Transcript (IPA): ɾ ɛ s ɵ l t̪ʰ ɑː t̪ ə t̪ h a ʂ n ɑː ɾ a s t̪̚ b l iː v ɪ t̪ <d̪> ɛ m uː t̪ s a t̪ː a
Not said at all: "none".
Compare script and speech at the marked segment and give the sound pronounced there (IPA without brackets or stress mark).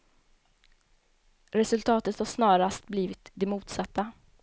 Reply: d̪